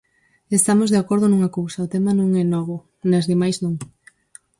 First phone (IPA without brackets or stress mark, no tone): e